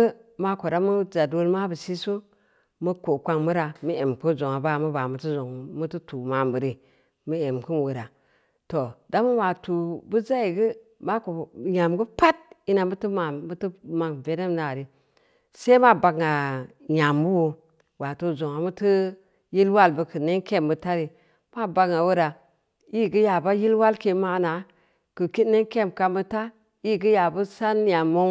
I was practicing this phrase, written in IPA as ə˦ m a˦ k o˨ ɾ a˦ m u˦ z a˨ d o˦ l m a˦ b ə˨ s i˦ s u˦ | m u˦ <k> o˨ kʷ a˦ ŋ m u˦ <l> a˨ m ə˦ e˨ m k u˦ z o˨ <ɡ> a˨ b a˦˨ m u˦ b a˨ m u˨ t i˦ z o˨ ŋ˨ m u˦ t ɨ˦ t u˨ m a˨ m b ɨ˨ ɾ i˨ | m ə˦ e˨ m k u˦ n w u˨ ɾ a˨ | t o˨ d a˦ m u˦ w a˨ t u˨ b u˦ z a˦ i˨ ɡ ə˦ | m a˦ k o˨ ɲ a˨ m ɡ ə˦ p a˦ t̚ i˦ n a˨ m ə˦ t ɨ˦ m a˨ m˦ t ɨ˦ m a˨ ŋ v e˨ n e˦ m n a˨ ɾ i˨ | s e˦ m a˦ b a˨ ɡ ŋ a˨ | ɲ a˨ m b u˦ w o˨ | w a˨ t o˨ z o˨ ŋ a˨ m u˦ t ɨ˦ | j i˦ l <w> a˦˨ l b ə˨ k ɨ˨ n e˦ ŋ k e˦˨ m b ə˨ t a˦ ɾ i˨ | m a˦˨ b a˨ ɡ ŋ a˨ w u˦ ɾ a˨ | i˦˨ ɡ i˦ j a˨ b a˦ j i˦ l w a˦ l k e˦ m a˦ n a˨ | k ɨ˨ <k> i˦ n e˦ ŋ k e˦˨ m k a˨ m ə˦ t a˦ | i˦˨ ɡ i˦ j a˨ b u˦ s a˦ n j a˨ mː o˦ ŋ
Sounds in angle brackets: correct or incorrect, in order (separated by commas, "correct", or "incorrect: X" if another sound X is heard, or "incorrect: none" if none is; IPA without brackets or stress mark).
correct, incorrect: ɾ, incorrect: ŋ, correct, correct